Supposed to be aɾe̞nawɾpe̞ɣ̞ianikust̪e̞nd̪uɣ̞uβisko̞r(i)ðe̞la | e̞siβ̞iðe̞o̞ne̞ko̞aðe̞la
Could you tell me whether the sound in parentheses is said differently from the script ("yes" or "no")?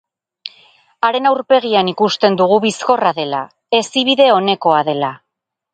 yes